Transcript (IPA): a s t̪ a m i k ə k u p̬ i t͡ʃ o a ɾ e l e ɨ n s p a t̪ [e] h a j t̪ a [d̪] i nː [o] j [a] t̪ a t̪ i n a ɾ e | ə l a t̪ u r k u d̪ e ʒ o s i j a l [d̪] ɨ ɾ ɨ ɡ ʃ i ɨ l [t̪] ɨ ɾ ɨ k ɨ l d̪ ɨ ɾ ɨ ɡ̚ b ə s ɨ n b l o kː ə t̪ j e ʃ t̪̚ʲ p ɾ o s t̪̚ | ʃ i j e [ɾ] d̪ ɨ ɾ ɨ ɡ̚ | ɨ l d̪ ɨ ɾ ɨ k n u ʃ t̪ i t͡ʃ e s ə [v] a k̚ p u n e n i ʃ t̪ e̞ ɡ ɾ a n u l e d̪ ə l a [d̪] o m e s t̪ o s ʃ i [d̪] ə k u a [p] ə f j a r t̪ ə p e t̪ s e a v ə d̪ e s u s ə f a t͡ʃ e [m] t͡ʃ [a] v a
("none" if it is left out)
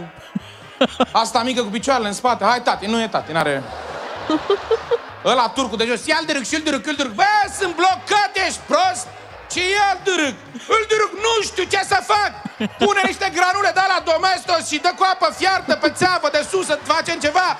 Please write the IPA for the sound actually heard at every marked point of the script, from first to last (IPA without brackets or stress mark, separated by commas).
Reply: e, t̪, u, e, d̪, d̪, l, f, d̪, d̪, p, m, e